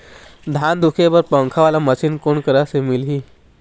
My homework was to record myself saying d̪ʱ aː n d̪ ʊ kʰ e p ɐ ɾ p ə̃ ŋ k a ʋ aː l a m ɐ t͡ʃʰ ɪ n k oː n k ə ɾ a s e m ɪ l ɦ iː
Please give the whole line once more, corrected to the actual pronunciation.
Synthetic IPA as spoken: d̪ʱ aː n d̪ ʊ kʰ e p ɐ ɾ p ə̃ ŋ kʰ a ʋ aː l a m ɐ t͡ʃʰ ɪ n k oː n k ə ɾ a s e m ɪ l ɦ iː